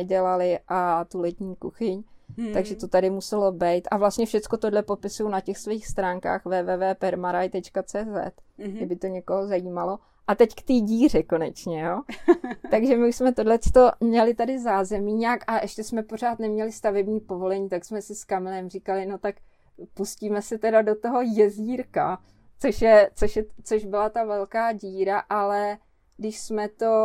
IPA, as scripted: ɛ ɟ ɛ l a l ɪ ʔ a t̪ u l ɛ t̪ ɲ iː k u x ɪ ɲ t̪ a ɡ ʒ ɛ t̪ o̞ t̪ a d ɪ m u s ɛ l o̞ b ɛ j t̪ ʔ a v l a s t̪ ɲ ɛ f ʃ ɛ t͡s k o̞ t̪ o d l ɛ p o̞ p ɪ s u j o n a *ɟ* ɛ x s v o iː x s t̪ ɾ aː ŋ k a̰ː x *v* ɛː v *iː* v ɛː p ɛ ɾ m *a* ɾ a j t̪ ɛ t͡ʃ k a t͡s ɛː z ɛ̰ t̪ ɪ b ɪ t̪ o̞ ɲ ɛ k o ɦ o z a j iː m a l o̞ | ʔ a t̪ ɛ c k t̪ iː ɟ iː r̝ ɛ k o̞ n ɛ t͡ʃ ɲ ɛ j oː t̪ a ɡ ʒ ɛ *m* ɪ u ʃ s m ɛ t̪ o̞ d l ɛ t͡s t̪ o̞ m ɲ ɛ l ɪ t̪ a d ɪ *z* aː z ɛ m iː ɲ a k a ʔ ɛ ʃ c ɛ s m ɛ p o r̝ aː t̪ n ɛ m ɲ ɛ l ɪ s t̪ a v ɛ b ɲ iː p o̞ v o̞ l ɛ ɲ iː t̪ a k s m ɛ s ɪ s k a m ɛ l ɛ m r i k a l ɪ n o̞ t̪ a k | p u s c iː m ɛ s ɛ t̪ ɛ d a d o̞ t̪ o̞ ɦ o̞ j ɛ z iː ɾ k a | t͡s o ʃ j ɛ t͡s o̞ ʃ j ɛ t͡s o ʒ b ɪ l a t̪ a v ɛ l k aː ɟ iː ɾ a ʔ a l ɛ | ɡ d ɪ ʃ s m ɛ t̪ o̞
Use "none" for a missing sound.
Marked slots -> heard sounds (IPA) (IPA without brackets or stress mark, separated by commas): c, v, ɛː, a, m, z